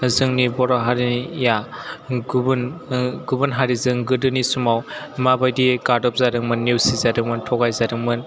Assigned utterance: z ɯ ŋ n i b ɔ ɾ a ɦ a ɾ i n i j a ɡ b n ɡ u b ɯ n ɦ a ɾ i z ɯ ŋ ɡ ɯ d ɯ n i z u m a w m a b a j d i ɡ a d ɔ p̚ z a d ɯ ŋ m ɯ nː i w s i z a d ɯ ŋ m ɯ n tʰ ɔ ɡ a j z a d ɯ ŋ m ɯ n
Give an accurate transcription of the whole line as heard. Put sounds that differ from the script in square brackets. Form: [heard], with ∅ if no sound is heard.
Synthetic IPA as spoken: z ɯ ŋ n i b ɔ ɾ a ɦ a ɾ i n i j a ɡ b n ɡ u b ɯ n ɦ a ɾ i z ɯ ŋ ɡ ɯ d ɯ n i [s] u m a w m a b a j d i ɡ a d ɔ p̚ z a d ɯ ŋ m ɯ nː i w s i z a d ɯ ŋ m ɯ n tʰ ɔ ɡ a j z a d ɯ ŋ m ɯ n

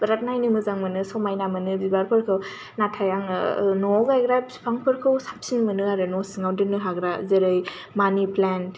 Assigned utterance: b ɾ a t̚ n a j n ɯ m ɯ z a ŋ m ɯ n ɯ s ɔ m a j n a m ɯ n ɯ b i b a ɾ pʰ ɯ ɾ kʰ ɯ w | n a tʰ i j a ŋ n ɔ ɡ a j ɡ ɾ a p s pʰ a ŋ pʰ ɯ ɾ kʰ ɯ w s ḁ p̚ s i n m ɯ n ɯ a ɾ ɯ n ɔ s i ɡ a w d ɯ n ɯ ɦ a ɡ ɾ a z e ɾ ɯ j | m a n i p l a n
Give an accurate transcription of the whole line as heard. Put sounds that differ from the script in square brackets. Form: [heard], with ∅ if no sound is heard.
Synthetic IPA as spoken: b ɾ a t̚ n a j n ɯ m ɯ z a ŋ m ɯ n ɯ s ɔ m a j n a m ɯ n ɯ b i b a ɾ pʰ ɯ ɾ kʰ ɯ w | n a tʰ [a] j a ŋ n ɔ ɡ a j ɡ ɾ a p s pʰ a ŋ pʰ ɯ ɾ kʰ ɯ w s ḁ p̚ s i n m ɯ n ɯ a ɾ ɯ n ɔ s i [ŋ] a w d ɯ n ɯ ɦ a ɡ ɾ a z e ɾ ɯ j | m a n i p l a n

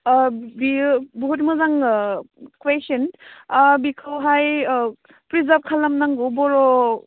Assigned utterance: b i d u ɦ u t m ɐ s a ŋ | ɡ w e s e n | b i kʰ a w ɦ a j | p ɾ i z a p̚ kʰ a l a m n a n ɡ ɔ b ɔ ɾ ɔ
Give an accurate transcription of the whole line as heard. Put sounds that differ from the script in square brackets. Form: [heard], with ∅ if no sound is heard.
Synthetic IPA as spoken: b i [b] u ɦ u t m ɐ [z] a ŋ | [k] w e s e n | b i kʰ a w ɦ a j | p ɾ i z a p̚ kʰ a l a m n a [ŋ] ɡ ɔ b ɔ ɾ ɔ

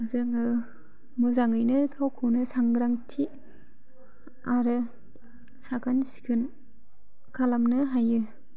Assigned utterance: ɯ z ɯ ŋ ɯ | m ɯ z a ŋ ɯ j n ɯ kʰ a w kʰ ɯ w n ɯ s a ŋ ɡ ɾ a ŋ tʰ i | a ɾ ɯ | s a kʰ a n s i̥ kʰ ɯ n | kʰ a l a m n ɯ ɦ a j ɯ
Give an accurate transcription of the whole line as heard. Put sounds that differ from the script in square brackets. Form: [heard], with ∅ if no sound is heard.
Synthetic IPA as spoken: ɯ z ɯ ŋ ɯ | m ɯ z a ŋ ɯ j n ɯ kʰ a w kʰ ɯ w n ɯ s a ŋ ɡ ɾ a ŋ tʰ i | a ɾ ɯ | s a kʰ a n s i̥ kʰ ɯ n | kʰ a l a m n ɯ ɦ a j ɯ

